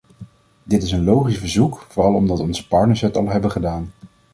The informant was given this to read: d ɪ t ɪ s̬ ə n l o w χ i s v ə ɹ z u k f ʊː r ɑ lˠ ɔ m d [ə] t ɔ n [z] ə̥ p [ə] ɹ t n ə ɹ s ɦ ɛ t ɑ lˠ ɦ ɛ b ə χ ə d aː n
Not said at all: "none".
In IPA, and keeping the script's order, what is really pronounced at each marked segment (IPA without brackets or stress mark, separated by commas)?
ɑ, z, ɑ